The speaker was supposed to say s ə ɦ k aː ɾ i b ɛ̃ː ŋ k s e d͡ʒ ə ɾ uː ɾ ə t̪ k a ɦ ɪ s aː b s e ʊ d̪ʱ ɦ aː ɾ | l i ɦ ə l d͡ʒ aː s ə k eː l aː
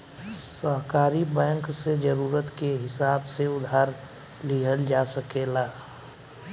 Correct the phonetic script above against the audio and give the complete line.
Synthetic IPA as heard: s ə ɦ k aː ɾ i b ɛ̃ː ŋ k s e d͡ʒ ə ɾ uː ɾ ə t̪ k e ɦ ɪ s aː b s e ʊ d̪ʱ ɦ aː ɾ | l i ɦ ə l d͡ʒ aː s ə k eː l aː